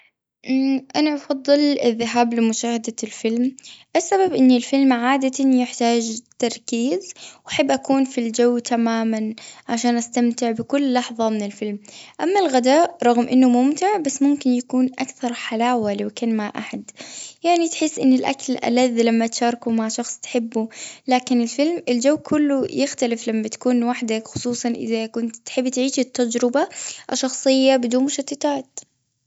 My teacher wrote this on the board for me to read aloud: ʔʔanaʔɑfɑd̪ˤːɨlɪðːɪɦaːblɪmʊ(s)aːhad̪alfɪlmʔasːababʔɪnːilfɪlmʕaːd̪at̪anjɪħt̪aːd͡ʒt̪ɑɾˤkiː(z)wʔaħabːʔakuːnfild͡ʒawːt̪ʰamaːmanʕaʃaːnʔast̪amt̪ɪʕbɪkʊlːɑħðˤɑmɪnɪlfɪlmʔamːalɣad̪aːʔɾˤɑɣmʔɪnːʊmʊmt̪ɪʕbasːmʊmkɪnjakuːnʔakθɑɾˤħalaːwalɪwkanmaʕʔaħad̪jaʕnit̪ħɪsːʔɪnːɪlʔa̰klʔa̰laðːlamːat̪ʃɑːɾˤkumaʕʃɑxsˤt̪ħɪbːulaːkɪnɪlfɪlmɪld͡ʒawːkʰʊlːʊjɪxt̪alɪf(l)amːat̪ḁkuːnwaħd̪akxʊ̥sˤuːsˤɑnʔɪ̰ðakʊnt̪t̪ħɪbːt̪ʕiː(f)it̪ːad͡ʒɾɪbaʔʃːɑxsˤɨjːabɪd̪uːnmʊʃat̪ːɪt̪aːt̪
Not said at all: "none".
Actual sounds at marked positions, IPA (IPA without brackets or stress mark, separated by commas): ʃ, z, l, ʃ